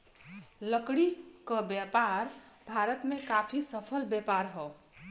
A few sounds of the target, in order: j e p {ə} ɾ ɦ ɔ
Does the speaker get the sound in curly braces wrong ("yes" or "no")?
yes